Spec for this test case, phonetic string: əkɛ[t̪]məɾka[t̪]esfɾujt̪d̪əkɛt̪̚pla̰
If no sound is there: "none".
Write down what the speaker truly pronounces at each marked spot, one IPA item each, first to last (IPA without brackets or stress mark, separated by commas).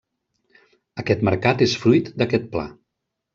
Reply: t̪, t̪